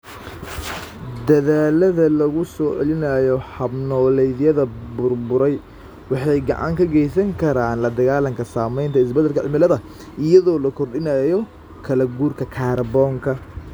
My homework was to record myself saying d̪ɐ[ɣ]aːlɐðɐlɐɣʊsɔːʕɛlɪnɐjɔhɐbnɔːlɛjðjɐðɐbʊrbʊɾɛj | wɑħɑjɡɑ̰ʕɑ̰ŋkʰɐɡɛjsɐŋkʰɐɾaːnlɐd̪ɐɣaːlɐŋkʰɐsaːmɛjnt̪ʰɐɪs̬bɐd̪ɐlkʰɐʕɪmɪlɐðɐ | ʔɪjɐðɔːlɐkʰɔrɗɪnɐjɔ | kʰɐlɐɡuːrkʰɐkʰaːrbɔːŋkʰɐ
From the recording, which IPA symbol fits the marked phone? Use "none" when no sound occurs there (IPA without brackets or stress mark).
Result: ð